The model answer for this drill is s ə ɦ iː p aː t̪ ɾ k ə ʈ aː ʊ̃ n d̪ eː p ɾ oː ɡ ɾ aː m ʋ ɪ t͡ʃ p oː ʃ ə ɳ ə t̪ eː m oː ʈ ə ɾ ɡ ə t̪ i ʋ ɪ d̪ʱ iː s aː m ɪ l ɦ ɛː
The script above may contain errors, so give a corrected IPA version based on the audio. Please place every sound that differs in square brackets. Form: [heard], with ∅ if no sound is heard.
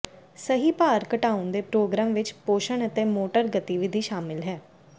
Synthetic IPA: s ə ɦ iː p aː [∅] ɾ k ə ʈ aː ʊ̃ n d̪ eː p ɾ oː ɡ ɾ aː m ʋ ɪ t͡ʃ p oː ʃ ə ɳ ə t̪ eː m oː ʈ ə ɾ ɡ ə t̪ i ʋ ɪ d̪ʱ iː [ʃ] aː m ɪ l ɦ ɛː